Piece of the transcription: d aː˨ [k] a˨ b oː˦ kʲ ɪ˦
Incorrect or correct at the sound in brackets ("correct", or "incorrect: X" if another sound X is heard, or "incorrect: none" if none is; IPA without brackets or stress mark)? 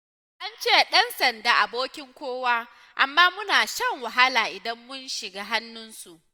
incorrect: ʔ